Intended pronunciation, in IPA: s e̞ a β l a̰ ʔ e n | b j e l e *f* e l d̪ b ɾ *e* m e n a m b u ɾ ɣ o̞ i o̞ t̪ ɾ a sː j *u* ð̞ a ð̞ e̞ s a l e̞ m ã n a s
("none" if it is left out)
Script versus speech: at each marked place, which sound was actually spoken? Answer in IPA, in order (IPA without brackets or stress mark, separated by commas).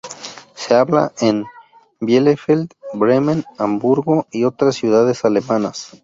f, e, u